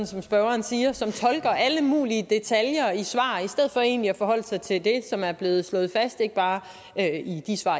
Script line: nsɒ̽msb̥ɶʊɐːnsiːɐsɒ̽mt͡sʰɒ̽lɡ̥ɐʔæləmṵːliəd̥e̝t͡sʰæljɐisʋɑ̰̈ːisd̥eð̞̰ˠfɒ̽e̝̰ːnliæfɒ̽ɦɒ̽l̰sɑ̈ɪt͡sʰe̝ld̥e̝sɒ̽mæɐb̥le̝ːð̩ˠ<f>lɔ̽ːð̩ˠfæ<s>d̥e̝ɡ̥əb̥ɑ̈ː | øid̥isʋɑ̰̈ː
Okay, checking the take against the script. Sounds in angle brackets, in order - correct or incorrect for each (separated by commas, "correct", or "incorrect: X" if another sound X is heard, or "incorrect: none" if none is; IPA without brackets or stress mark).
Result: incorrect: s, correct